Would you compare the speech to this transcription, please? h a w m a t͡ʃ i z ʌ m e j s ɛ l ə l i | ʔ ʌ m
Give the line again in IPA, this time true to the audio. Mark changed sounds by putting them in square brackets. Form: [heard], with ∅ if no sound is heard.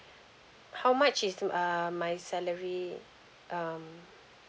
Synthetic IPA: h a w m a t͡ʃ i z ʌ m [a] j s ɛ l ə [ɹ] i | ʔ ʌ m

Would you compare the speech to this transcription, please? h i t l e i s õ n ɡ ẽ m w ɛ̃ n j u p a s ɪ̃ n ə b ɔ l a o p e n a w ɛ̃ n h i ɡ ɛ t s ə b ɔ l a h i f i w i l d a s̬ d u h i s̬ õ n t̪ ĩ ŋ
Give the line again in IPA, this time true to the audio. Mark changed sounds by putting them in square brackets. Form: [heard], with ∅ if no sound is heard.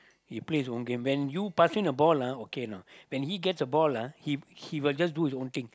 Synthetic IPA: h i [p] l e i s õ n ɡ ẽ m w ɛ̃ n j u p a s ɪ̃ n ə b ɔ l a o [k] e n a w ɛ̃ n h i ɡ ɛ t s ə b ɔ l a h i [h] i w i l [d͡ʒ] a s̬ d u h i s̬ õ n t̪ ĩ ŋ

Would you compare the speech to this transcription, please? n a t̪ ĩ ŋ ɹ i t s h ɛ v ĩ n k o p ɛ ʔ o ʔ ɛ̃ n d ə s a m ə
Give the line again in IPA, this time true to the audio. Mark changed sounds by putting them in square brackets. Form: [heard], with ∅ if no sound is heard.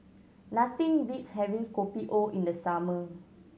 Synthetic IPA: n a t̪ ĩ ŋ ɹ i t s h ɛ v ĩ [ŋ] k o p [i] ʔ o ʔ [ĩ] n d ə s a m ə

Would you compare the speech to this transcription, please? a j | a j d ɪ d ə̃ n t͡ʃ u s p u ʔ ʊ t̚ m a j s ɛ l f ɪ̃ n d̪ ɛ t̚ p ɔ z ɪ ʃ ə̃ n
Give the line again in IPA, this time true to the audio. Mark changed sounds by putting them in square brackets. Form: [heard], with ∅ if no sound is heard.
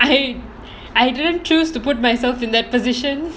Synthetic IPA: a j | a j d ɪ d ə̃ n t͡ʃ u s [t] u [p] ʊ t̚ m a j s ɛ l f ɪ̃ n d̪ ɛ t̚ p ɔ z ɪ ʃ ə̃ n

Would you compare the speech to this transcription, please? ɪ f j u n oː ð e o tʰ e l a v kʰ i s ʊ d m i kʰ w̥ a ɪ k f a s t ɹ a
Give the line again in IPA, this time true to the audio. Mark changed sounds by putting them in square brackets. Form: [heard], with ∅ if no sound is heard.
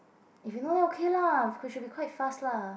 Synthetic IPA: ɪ f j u n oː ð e o [kʰ] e l a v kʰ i [ʃ] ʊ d [b] i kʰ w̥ a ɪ [t] f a s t [l] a

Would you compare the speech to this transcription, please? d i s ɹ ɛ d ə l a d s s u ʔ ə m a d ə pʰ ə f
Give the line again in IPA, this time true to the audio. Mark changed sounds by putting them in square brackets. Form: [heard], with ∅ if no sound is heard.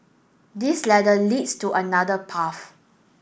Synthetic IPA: d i s [l] ɛ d ə l [i] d s [t] u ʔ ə [n] a d ə pʰ [a] f

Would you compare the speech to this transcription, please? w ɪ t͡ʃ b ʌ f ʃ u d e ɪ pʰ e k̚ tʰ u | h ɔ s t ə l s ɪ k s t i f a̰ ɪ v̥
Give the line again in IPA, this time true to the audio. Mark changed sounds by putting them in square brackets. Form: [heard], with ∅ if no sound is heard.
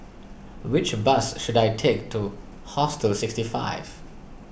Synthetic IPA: w ɪ t͡ʃ b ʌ [s] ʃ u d [a] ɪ [tʰ] e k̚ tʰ u | h ɔ s t ə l s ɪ k s t i f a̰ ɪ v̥

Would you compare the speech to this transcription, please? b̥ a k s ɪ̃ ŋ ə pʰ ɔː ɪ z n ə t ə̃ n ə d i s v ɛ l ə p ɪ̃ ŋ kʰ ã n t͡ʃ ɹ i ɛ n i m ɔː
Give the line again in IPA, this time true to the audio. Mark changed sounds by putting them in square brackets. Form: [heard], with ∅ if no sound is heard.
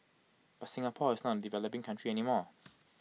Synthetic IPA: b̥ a [t] s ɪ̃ ŋ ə pʰ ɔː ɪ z n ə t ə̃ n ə d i [∅] v ɛ l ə p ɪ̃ ŋ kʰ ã n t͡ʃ ɹ i ɛ n i m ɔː

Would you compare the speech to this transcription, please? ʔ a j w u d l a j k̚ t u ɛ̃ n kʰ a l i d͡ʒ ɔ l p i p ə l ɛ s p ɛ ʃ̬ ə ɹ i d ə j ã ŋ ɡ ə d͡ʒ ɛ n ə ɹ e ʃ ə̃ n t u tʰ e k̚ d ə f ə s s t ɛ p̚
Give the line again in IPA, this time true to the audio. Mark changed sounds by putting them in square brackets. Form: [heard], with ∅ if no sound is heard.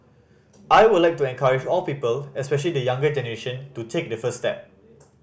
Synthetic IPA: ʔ a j w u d l a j k̚ t u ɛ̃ n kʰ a [ɹ] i d͡ʒ ɔ l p i p ə l ɛ s p ɛ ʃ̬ ə [l] i d ə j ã ŋ ɡ ə d͡ʒ ɛ n ə ɹ e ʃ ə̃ n t u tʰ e k̚ d ə f ə s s t ɛ p̚

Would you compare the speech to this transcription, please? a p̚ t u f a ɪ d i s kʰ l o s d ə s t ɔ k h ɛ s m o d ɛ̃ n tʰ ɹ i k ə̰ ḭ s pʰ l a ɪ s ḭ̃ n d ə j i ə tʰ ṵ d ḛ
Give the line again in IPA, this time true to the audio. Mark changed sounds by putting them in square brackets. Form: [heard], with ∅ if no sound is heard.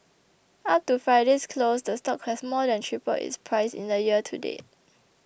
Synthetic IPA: a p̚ t u f a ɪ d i s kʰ l o s d ə s t ɔ k h ɛ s m [ɔ] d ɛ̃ n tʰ ɹ i [p] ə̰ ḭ s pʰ [ɹ] a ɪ s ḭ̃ n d ə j i ə tʰ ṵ d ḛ

